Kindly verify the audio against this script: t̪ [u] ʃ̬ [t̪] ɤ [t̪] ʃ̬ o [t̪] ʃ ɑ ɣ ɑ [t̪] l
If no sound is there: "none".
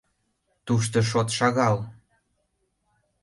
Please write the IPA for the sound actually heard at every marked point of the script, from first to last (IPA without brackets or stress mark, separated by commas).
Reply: u, t̪, none, t̪, none